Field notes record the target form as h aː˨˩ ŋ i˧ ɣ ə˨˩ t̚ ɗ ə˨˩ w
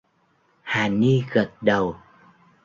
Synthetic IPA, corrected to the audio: h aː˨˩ n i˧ ɣ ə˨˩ t̚ ɗ ə˨˩ w